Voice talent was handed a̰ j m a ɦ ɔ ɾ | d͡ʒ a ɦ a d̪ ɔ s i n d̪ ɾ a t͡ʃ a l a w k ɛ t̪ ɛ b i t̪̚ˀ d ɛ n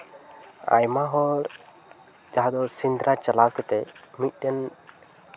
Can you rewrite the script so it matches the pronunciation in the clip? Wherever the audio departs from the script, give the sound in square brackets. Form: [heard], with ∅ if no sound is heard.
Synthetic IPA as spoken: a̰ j m a ɦ ɔ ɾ | d͡ʒ a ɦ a d̪ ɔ s i n d̪ ɾ a t͡ʃ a l a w k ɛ t̪ ɛ [m] i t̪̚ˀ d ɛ n